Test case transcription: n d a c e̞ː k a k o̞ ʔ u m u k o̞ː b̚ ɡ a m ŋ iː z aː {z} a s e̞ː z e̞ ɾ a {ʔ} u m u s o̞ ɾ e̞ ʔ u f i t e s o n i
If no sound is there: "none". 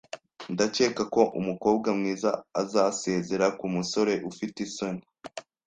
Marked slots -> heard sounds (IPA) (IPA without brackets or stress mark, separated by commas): z, k